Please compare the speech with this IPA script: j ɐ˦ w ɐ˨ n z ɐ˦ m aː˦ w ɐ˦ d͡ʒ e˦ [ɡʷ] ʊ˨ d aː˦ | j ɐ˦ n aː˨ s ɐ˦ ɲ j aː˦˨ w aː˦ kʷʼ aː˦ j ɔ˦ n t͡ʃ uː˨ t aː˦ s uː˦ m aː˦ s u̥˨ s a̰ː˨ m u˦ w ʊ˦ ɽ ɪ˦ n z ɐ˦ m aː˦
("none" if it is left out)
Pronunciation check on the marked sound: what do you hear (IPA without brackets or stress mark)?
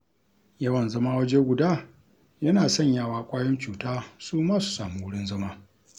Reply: ɡʷ